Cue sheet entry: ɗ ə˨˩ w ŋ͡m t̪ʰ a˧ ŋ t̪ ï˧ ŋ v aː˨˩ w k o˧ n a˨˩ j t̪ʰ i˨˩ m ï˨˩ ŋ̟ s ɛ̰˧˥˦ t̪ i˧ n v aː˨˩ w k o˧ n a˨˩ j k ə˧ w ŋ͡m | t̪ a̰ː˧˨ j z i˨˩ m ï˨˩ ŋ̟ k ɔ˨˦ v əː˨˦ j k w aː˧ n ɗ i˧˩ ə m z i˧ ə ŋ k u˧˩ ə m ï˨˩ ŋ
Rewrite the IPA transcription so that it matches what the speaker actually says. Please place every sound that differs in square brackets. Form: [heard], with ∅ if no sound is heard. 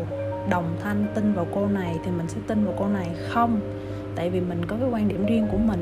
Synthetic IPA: ɗ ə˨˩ w ŋ͡m t̪ʰ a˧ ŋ t̪ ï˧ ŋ v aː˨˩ w k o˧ n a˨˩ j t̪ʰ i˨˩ m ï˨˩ ŋ̟ s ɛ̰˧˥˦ t̪ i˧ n v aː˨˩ w k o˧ n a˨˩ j [x] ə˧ w ŋ͡m | t̪ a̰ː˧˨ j [v] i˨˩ m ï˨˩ ŋ̟ k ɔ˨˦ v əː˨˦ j k w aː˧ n ɗ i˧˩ ə m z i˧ ə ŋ k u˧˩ ə m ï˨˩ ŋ